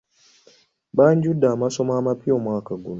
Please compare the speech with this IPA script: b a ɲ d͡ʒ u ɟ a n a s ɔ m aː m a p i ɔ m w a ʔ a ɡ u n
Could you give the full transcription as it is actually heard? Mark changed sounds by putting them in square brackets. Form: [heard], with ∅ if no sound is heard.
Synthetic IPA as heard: b a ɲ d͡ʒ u [d] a [m] a s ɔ m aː m a p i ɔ m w a [k] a ɡ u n